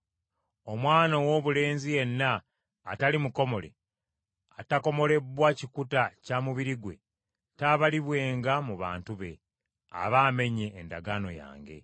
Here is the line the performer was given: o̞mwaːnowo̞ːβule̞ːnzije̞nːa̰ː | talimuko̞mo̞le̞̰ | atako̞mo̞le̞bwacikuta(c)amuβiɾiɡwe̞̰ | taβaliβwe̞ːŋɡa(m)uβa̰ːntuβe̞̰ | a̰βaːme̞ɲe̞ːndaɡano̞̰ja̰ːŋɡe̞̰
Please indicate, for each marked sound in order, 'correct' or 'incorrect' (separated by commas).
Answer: correct, correct